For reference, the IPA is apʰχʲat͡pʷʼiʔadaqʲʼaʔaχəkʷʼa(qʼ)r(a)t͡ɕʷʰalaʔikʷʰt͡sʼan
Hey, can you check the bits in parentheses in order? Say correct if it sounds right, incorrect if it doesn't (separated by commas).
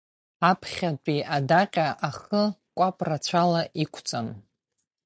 incorrect, correct